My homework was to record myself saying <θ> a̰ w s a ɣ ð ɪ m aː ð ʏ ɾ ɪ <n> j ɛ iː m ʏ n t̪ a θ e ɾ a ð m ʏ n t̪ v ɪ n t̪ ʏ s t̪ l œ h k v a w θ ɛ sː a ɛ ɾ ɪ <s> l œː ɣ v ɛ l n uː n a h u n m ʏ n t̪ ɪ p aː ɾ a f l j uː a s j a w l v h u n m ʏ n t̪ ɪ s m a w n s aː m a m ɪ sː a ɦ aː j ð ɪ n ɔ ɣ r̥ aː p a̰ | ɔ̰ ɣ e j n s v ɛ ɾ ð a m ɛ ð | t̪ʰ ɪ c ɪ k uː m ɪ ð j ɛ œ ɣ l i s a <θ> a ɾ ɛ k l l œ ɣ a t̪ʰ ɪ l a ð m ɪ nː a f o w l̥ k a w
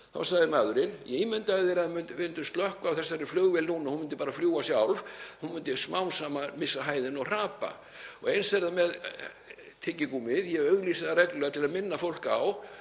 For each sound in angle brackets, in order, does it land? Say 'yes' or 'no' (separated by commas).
yes, yes, no, no